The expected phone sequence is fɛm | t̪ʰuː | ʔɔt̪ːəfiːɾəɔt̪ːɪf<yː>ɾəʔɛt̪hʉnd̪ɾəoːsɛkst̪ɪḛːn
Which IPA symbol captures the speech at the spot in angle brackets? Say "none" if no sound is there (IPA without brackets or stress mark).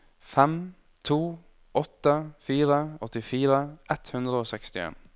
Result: iː